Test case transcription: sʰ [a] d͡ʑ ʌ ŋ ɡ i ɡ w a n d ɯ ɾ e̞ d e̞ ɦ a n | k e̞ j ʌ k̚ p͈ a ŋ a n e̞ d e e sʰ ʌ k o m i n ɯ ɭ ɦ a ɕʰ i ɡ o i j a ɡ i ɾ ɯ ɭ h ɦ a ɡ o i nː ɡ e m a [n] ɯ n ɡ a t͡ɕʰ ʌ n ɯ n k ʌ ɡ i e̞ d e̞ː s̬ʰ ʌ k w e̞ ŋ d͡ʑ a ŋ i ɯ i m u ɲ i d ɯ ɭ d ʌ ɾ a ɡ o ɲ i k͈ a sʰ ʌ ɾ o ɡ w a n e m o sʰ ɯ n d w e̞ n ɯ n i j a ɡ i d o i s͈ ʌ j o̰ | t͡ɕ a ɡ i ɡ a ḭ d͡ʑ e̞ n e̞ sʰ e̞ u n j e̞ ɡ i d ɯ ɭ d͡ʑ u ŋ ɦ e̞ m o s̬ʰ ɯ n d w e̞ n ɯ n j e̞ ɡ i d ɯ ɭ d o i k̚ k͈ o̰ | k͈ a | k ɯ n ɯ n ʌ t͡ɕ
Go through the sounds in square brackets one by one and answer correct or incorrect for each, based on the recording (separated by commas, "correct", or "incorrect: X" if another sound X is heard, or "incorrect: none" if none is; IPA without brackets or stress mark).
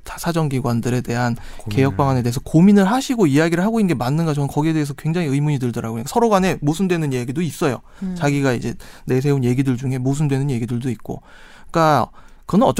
correct, incorrect: nː